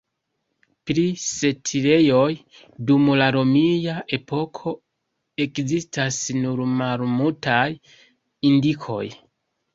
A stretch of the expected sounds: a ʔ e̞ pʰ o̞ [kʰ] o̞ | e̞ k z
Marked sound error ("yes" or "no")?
no